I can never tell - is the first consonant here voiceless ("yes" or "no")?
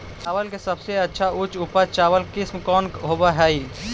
yes